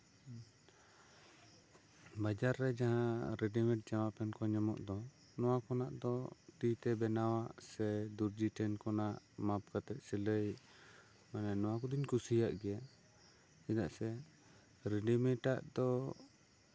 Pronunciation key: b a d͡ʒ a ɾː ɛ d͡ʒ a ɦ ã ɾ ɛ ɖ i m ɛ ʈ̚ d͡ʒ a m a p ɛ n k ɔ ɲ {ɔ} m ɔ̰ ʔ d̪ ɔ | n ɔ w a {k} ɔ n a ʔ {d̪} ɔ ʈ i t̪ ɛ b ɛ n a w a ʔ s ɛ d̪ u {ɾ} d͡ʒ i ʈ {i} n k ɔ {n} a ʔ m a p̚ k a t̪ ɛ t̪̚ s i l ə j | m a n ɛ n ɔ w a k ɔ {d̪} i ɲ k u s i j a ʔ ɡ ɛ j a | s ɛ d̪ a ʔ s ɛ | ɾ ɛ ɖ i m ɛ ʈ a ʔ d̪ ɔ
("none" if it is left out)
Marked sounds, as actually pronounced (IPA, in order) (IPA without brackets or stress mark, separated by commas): ɔ, k, d̪, ɾ, ɛ, n, d̪